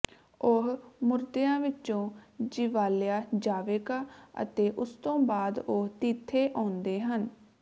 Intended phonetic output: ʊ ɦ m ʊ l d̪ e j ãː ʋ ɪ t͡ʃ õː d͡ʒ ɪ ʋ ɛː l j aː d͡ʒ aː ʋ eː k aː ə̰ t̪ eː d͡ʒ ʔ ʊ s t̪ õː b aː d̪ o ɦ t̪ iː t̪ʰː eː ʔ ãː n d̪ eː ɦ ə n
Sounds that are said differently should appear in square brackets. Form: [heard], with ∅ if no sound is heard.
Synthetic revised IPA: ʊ ɦ m ʊ [ɾ] d̪ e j ãː ʋ ɪ t͡ʃ õː d͡ʒ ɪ ʋ [aː] l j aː d͡ʒ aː ʋ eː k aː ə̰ t̪ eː [∅] ʔ ʊ s t̪ õː b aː d̪ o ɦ t̪ iː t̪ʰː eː ʔ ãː n d̪ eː ɦ ə n